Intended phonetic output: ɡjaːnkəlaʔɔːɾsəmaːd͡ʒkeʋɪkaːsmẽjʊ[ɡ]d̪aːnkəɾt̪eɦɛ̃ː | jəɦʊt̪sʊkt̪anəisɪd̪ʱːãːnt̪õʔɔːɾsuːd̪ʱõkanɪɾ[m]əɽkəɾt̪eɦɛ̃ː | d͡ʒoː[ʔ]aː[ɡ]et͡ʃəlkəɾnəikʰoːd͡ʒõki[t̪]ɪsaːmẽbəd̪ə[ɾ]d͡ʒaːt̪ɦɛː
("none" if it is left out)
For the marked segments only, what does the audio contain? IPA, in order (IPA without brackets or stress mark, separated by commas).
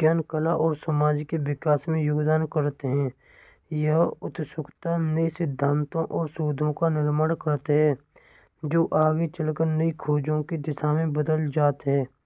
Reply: ɡ, m, ʔ, ɡ, d̪, l